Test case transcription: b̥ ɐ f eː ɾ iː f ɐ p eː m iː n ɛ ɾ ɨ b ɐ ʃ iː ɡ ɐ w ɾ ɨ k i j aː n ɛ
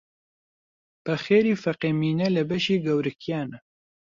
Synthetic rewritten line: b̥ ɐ x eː ɾ iː f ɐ q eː m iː n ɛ l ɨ b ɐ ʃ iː ɡ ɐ w ɾ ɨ k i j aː n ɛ